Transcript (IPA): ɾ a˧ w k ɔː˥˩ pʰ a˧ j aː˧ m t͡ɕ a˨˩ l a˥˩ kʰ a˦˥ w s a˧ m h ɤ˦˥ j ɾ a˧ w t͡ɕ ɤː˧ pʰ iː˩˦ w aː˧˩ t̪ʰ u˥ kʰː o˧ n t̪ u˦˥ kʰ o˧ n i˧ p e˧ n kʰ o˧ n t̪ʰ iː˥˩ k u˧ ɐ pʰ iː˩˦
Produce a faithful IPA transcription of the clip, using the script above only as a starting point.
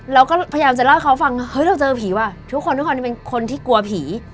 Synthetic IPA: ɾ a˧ w k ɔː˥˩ pʰ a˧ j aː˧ m t͡ɕ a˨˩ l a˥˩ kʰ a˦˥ w f a˧ ŋ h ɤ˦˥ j ɾ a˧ w t͡ɕ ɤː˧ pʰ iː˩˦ w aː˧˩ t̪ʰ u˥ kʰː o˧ n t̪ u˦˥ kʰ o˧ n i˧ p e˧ n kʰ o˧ n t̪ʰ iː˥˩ k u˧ ɐ pʰ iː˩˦